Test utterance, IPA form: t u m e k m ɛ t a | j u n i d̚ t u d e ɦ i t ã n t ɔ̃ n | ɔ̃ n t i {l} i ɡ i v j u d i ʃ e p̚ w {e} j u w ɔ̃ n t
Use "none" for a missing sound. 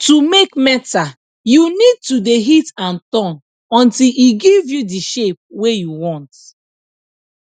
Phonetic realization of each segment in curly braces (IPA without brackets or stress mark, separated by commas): l, e